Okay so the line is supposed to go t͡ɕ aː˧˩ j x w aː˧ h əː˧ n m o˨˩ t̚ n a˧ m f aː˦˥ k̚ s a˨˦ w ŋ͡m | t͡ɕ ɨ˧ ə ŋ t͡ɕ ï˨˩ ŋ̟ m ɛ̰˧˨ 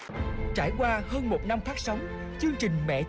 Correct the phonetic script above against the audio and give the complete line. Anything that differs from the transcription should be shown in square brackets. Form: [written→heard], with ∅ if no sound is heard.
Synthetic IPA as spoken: t͡ɕ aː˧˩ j [x→k] w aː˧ h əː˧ n m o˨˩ t̚ n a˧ m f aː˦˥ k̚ s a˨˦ w ŋ͡m | t͡ɕ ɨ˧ ə ŋ t͡ɕ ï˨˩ ŋ̟ m ɛ̰˧˨